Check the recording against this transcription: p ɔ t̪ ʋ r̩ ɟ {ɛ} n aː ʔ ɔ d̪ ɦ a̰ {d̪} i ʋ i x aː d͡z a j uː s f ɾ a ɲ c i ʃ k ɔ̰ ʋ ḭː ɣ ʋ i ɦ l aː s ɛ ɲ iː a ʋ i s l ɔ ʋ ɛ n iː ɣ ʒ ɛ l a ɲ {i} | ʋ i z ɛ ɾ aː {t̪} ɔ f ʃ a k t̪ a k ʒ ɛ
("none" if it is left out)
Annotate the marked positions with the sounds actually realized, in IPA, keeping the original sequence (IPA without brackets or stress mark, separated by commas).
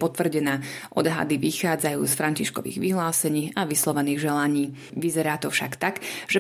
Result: ɛ, d̪, iː, t̪